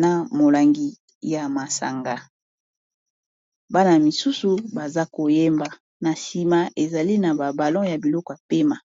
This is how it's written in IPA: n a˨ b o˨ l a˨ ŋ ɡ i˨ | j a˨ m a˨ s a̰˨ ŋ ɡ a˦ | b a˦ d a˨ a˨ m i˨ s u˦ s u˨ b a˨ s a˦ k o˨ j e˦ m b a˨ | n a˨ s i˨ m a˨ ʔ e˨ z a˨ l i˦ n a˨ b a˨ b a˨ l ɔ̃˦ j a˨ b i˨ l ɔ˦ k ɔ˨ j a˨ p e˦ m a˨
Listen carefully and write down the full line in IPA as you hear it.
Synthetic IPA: n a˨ m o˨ l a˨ ŋ ɡ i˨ | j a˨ m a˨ s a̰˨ ŋ ɡ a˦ | b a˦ n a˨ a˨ m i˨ s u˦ s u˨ b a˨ z a˦ k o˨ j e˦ m b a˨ | n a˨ s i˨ m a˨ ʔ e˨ z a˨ l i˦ n a˨ b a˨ b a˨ l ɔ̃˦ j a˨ b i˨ l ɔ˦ k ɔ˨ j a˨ p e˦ m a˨